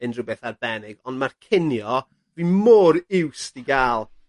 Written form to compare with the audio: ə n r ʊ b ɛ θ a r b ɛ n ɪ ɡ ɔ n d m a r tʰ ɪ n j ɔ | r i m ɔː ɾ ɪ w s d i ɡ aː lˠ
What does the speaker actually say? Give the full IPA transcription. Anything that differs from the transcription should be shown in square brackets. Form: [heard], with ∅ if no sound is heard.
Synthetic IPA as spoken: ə n r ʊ b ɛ θ a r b ɛ n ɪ ɡ ɔ n d m a r [kʰ] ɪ n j ɔ | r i m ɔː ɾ ɪ w s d i ɡ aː lˠ